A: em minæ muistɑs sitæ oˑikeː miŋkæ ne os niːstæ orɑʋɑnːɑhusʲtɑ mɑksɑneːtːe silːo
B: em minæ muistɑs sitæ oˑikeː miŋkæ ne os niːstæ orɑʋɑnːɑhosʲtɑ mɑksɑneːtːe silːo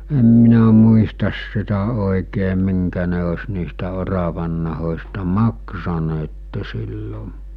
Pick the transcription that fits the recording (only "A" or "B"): B